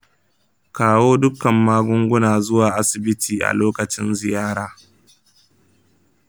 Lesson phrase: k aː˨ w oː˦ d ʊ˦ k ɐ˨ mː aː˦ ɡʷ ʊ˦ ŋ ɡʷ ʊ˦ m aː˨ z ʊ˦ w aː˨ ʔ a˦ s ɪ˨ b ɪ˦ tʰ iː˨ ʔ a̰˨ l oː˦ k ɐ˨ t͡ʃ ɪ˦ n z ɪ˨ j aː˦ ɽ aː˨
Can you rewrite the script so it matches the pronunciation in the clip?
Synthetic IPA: k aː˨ w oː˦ d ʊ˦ k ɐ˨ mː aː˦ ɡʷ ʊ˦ ŋ ɡʷ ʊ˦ n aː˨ z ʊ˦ w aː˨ ʔ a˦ s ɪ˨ b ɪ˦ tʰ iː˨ ʔ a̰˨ l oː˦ k ɐ˨ t͡ʃ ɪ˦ n z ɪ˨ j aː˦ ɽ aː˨